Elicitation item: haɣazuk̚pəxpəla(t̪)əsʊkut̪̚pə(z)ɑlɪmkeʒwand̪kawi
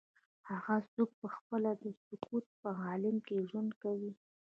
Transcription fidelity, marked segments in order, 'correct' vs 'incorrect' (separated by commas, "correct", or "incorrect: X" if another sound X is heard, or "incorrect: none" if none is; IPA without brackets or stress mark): incorrect: d̪, incorrect: ɣ